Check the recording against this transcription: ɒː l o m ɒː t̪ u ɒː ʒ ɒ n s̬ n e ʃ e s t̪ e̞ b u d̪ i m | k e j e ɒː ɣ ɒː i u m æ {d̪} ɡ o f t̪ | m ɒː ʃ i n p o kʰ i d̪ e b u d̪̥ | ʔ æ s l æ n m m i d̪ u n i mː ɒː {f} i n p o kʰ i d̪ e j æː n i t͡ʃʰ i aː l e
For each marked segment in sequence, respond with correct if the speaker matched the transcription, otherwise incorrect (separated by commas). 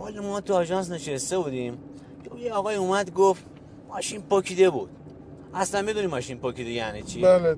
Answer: correct, incorrect